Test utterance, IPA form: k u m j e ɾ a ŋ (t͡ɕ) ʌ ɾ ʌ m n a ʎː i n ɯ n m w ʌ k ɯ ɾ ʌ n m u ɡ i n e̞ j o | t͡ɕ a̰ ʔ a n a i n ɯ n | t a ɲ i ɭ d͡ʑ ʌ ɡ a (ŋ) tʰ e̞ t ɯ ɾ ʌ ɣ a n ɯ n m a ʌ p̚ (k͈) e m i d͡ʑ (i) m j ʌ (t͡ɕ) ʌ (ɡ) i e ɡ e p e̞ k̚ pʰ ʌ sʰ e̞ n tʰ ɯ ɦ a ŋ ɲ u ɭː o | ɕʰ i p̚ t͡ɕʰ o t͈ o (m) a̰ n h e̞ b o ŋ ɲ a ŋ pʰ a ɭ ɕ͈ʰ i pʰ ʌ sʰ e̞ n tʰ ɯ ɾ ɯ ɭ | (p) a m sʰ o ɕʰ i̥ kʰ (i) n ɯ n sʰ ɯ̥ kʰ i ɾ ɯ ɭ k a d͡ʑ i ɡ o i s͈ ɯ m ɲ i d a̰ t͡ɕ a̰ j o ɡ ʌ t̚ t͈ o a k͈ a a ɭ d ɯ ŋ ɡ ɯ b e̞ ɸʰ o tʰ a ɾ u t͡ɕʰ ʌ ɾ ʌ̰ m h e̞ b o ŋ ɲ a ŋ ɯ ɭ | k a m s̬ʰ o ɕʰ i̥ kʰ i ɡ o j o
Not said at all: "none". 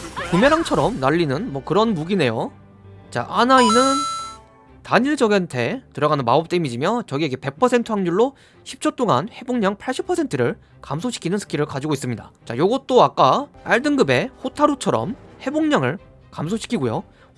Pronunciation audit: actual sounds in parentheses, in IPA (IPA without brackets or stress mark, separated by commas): t͡ɕʰ, n, t͈, i, t͡ɕ, ɡ, ŋ, k, i